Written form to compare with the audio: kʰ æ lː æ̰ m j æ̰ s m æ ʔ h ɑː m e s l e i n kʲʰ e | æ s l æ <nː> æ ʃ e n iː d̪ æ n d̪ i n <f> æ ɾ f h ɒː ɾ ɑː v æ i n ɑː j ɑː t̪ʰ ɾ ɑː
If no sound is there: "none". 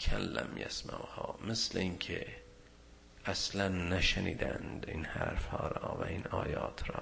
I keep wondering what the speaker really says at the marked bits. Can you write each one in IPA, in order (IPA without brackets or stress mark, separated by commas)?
nː, h